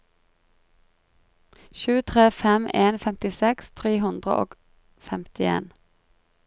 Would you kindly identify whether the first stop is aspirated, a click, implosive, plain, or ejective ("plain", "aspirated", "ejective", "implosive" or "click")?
aspirated